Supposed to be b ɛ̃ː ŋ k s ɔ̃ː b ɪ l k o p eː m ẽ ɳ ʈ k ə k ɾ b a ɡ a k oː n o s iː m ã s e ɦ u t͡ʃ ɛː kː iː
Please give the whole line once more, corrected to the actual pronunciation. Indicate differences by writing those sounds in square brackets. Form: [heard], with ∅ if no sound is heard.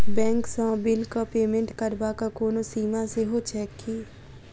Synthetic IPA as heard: b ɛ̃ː ŋ k s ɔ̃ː b ɪ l k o p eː m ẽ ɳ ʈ k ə [∅] ɾ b a [k] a k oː n o s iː m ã s e ɦ [o] t͡ʃ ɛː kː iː